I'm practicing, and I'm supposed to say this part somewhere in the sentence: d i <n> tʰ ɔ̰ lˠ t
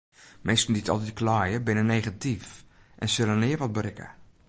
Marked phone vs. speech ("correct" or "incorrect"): incorrect